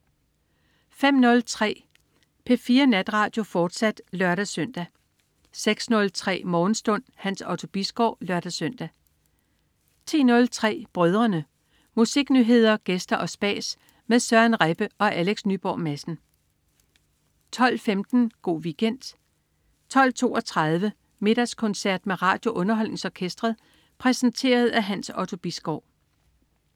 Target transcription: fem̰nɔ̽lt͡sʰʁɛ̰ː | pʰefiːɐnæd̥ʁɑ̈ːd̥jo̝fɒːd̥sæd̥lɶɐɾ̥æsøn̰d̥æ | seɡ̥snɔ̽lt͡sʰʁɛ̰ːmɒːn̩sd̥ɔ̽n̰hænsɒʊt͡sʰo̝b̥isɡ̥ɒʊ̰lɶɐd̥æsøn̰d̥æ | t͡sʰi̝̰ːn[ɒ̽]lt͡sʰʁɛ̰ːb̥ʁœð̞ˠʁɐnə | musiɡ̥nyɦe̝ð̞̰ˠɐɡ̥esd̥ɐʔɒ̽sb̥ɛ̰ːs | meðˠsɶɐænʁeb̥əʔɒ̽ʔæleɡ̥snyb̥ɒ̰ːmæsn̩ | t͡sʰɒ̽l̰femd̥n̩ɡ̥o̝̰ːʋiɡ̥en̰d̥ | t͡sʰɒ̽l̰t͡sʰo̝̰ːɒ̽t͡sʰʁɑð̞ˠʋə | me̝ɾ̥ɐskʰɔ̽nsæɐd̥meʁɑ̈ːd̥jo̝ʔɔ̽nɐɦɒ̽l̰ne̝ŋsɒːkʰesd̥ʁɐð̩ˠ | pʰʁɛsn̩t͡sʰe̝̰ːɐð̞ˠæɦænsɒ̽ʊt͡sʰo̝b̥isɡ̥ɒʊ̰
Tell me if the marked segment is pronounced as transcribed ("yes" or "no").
no